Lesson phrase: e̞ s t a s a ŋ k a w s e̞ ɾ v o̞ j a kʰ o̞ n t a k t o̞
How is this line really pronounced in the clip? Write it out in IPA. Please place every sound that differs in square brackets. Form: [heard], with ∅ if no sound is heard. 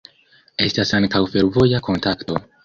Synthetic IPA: e̞ s t a s a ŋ k a w [f] e̞ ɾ v o̞ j a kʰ o̞ n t a k t o̞